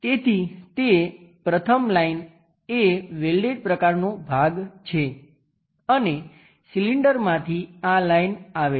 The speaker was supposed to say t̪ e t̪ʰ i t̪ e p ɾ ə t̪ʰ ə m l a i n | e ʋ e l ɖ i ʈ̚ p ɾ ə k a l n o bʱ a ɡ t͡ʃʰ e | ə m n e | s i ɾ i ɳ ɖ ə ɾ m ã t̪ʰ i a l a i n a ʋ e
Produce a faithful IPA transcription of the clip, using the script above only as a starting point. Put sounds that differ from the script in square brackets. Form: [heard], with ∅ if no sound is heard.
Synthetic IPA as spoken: t̪ e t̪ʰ i t̪ e p ɾ ə t̪ʰ ə m l a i n | e ʋ e l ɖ [e] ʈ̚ p ɾ ə k a [ɾ] n o bʱ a ɡ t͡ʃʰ e | ə [∅] n e | s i [l] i ɳ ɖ ə ɾ m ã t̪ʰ i a l a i n a ʋ e